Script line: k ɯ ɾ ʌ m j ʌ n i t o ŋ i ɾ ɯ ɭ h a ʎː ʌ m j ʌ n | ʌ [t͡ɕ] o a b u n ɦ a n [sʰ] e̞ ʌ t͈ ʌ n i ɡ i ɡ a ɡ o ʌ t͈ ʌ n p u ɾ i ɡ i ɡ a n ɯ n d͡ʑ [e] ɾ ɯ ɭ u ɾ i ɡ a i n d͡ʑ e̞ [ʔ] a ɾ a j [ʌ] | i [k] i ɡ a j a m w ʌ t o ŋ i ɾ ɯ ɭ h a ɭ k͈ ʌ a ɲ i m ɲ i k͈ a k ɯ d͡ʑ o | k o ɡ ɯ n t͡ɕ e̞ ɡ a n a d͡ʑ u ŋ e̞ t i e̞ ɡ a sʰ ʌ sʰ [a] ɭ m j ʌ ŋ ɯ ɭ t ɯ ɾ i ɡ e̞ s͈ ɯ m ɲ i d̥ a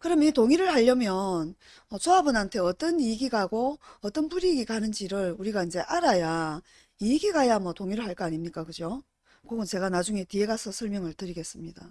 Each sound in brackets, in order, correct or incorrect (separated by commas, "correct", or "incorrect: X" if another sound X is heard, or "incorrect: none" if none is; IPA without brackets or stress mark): correct, incorrect: tʰ, incorrect: i, correct, incorrect: a, incorrect: ɡ, incorrect: ʌ